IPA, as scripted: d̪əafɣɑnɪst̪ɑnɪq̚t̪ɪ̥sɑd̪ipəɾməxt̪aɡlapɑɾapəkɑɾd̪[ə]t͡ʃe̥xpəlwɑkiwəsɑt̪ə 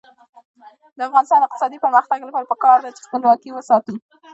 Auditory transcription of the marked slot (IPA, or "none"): a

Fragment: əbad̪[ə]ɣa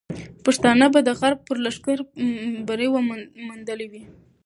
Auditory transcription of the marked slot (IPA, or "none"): ə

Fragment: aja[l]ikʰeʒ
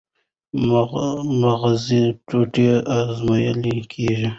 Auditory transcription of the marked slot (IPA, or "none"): l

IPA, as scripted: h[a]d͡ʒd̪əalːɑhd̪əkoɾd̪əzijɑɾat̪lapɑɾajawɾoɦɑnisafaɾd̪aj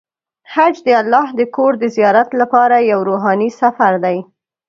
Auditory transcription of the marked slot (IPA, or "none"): a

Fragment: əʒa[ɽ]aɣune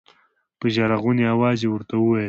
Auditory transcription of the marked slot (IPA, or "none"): ɾ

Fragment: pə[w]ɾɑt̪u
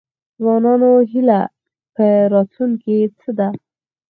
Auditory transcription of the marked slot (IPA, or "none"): none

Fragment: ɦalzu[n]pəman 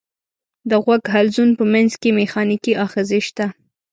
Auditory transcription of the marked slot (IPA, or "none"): n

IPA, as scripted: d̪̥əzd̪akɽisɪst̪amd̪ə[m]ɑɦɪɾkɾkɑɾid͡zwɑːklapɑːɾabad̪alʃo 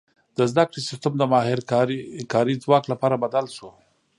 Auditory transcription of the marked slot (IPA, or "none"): m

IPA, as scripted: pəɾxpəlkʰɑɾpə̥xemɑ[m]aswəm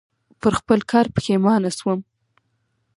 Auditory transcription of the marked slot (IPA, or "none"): n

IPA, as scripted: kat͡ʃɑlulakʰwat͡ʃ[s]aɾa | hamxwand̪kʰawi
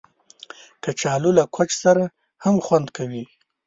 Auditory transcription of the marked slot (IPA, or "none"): s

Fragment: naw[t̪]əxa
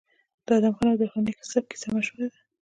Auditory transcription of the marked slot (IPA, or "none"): d̪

